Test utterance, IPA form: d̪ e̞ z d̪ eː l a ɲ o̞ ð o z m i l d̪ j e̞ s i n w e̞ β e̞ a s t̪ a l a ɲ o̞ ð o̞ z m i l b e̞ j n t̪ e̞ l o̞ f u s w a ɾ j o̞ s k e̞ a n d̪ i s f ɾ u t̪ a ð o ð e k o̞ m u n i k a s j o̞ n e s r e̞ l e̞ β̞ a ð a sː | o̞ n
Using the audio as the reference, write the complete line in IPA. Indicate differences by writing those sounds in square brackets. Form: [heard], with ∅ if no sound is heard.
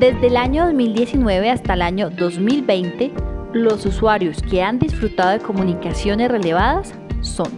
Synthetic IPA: d̪ e̞ z d̪ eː l a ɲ o̞ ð o z m i l d̪ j e̞ s i n w e̞ β e̞ a s t̪ a l a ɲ o̞ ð o̞ z m i l b e̞ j n t̪ e̞ l o̞ [s] u s w a ɾ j o̞ s k e̞ a n d̪ i s f ɾ u t̪ a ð o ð e k o̞ m u n i k a s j o̞ n e s r e̞ l e̞ β̞ a ð a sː | o̞ n